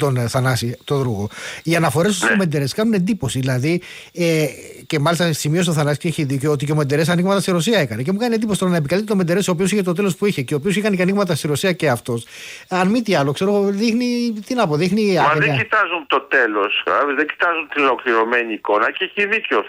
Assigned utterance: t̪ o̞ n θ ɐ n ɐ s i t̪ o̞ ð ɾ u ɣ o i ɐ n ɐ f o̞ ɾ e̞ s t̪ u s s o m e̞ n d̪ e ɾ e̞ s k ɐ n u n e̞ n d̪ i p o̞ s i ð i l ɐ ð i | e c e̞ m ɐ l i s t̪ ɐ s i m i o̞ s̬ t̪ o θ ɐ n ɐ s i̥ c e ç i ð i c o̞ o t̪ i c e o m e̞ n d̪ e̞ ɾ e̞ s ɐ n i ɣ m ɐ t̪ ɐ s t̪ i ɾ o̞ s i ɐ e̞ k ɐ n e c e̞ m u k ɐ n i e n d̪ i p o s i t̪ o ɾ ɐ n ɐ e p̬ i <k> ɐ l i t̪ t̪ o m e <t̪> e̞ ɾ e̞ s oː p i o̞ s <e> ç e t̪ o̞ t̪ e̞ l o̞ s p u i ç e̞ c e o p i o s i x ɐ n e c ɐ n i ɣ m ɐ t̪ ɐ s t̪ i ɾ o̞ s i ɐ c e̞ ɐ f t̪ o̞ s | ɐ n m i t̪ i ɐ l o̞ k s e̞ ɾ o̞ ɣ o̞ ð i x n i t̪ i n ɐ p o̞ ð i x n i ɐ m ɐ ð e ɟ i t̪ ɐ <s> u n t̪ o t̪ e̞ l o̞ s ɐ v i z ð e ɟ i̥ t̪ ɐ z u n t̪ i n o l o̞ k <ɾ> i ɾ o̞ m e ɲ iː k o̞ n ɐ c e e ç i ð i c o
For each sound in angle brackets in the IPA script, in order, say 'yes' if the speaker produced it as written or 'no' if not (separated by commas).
yes, no, no, no, no